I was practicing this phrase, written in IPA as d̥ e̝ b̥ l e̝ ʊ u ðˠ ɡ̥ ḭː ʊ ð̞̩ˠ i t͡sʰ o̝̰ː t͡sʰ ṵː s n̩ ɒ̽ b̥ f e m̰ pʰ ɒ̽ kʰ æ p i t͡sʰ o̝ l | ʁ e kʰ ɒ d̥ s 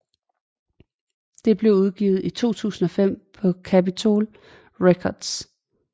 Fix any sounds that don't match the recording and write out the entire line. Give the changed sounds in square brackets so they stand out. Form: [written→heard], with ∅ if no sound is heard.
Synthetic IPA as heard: d̥ e̝ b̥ l e̝ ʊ u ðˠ ɡ̥ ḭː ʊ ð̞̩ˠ i t͡sʰ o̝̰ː t͡sʰ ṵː s n̩ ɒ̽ [b̥→∅] f e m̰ pʰ ɒ̽ kʰ æ p i t͡sʰ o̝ l | ʁ e kʰ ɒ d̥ s

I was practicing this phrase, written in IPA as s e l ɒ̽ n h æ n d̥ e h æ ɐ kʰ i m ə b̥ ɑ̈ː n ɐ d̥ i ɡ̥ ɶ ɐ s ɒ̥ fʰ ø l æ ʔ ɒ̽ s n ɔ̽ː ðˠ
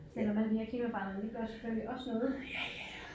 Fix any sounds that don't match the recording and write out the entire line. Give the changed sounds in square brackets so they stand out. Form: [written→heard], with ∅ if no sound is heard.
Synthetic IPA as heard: s e l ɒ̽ [n→m] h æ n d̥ [e→i] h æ ɐ kʰ i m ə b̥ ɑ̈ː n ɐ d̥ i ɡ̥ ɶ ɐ s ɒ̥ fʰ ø l [æ→i] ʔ ɒ̽ s n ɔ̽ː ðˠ

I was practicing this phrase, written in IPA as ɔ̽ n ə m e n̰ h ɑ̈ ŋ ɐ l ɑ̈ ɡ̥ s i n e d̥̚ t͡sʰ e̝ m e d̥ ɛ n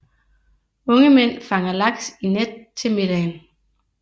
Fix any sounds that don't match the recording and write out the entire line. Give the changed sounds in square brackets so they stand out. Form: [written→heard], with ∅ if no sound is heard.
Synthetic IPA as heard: ɔ̽ [n→ŋ] ə m e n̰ [h→f] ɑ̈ ŋ ɐ l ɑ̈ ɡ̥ s i n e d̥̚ t͡sʰ e̝ m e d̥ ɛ n

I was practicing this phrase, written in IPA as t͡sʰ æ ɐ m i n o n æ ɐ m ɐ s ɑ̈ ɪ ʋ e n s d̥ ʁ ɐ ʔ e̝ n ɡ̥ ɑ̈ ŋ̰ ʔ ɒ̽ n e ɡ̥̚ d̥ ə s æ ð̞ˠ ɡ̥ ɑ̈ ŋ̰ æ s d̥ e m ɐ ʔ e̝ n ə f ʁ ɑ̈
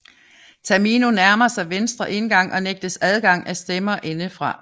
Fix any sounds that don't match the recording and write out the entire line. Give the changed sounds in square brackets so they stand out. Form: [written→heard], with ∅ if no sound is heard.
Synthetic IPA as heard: t͡sʰ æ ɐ m i n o n æ ɐ m ɐ s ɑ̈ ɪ ʋ e n s d̥ ʁ ɐ ʔ e̝ n ɡ̥ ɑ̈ ŋ̰ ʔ ɒ̽ n e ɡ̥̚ d̥ ə s æ ð̞ˠ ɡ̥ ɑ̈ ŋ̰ æ s d̥ e m ɐ ʔ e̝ n ə f ʁ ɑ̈

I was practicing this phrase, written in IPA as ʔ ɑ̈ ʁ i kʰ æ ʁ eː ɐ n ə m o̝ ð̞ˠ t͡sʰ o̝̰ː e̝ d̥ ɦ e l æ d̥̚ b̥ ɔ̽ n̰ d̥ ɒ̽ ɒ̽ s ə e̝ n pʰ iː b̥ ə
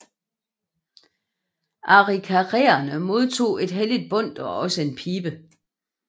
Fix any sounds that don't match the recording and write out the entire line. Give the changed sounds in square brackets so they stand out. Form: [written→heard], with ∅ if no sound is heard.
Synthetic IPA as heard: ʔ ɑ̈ ʁ i kʰ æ ʁ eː ɐ n ə m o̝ ð̞ˠ t͡sʰ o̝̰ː e̝ d̥ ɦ e l [æ→i] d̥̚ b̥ ɔ̽ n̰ d̥ ɒ̽ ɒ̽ s ə e̝ n pʰ iː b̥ ə

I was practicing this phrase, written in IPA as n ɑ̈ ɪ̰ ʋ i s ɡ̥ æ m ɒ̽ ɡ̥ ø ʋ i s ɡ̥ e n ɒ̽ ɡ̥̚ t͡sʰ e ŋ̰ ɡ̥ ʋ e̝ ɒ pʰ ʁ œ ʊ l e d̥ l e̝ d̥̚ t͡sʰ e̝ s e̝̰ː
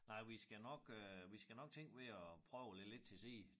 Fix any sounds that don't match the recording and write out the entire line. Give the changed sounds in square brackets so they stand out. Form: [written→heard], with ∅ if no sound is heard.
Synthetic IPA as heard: n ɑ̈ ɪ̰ ʋ i s ɡ̥ æ [m→n] ɒ̽ ɡ̥ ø ʋ i s ɡ̥ [e→æ] n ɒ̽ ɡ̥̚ t͡sʰ e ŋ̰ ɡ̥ ʋ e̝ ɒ pʰ ʁ œ ʊ l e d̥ l e̝ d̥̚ t͡sʰ e̝ s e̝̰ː

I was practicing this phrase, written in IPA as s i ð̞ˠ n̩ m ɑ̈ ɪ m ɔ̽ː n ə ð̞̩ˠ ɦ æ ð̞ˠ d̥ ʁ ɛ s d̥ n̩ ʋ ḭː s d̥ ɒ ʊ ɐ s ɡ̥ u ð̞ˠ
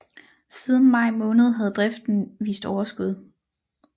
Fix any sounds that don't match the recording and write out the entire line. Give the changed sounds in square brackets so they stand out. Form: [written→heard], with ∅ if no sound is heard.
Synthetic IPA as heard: s i ð̞ˠ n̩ m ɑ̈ ɪ m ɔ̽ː n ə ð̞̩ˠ ɦ æ ð̞ˠ d̥ ʁ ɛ [s→f] d̥ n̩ ʋ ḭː s d̥ ɒ ʊ ɐ s ɡ̥ u ð̞ˠ

